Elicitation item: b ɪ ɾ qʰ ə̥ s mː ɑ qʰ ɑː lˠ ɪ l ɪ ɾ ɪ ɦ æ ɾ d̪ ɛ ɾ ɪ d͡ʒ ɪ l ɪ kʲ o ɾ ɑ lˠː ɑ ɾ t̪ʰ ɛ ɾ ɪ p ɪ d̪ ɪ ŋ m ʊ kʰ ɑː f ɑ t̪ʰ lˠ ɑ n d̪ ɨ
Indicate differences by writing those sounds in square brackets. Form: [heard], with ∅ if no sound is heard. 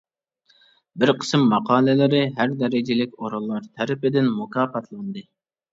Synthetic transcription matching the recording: b ɪ ɾ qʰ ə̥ s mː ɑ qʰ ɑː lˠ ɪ l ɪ ɾ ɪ ɦ æ ɾ d̪ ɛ ɾ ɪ d͡ʒ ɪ l ɪ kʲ o ɾ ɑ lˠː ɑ ɾ t̪ʰ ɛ ɾ ɪ p ɪ d̪ ɪ [n] m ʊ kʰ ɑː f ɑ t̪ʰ lˠ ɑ n d̪ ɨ